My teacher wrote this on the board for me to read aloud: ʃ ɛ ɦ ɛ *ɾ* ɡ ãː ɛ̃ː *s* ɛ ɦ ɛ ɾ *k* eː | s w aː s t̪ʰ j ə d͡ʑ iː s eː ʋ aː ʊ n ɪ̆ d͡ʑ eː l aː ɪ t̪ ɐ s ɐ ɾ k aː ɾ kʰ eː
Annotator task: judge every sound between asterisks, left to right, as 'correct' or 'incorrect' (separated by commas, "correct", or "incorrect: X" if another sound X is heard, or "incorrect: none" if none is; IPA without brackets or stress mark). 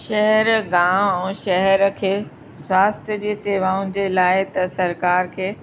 correct, incorrect: ʃ, incorrect: kʰ